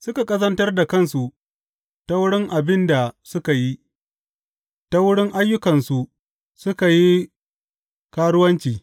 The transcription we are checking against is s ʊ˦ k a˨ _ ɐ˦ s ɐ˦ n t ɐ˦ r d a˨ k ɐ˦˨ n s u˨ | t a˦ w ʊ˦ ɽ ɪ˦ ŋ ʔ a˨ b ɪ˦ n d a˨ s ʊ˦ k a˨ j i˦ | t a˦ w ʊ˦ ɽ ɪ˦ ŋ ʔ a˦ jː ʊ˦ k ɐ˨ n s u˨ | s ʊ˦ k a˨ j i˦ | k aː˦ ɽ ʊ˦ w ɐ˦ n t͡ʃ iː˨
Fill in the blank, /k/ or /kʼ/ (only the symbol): kʼ